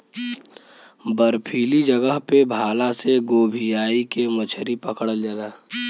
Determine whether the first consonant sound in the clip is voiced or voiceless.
voiced